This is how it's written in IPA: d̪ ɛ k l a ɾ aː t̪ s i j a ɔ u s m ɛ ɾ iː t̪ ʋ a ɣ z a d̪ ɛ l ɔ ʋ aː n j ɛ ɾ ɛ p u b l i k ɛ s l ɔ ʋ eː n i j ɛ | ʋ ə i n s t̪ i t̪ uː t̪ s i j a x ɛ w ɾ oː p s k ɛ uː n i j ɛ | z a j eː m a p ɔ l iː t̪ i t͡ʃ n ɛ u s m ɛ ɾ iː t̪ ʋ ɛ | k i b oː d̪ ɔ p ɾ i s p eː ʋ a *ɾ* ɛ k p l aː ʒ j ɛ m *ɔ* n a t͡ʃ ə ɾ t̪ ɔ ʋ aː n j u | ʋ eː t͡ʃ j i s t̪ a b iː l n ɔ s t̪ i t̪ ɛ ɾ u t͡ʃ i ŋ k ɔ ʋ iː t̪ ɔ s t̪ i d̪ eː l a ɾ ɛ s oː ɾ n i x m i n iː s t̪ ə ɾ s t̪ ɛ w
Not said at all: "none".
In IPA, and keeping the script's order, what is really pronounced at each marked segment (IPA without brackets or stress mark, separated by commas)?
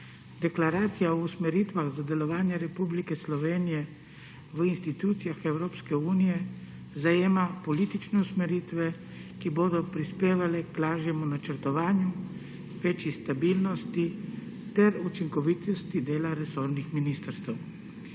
l, u